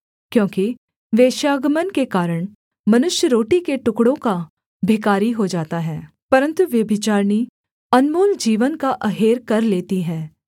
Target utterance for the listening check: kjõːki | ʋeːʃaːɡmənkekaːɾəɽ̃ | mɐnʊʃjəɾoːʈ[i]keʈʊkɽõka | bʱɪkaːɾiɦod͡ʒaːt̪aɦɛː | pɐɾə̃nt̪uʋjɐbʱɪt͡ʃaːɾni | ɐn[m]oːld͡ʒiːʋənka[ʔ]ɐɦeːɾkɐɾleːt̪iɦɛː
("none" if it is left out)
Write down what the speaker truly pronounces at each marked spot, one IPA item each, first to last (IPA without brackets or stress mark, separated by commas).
i, m, ʔ